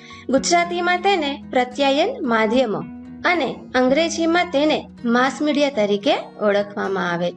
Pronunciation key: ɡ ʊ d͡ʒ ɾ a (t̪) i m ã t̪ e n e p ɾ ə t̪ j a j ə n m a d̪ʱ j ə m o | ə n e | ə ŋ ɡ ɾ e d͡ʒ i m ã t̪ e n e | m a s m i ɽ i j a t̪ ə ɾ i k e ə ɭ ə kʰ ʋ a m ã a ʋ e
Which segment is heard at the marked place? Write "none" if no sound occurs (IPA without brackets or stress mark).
t̪